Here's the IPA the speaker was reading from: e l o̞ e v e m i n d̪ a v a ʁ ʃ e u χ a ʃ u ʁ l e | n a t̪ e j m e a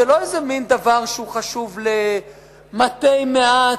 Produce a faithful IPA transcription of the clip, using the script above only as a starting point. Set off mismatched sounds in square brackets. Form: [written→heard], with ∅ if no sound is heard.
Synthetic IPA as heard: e l o̞ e [v→z] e m i n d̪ a v a ʁ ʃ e u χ a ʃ u [ʁ→v] l e | [n→m] a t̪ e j m e a